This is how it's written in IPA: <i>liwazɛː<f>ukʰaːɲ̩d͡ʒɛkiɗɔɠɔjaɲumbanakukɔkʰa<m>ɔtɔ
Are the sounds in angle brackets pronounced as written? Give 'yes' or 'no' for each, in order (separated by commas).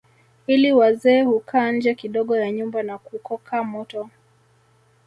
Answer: yes, no, yes